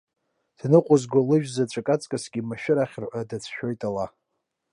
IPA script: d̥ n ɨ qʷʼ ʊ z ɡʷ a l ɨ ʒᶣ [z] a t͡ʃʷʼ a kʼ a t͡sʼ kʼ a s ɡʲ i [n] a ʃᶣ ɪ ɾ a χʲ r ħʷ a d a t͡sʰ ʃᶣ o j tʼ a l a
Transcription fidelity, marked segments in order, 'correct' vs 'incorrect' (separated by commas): correct, incorrect